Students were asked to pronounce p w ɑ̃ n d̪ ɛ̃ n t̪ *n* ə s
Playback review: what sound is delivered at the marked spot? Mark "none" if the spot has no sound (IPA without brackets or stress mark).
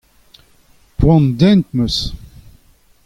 m